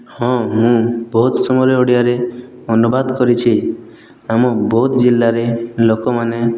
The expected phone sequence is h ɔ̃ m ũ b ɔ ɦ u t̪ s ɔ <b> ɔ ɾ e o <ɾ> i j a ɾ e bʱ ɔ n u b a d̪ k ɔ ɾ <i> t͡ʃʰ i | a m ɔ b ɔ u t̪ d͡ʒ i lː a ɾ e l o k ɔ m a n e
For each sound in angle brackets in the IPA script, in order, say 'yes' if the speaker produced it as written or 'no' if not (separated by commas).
no, no, yes